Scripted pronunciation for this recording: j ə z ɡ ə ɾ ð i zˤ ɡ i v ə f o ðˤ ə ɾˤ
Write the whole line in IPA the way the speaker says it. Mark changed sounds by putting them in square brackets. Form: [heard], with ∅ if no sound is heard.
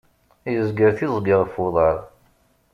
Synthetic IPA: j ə z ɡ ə ɾ [θ] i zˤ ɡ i [ʁ] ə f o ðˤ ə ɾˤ